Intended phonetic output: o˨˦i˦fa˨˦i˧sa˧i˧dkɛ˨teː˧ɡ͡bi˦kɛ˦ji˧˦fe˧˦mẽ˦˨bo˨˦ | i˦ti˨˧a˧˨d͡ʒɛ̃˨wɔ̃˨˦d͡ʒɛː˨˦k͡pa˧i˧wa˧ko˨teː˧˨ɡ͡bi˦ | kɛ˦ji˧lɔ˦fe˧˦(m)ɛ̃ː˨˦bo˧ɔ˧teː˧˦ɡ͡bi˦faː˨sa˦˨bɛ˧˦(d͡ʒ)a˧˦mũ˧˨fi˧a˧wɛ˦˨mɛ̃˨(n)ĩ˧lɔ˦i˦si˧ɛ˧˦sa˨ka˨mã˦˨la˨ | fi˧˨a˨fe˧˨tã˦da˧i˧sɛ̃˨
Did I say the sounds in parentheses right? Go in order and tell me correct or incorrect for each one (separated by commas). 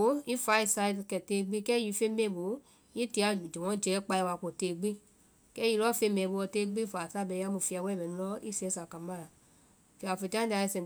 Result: correct, incorrect, correct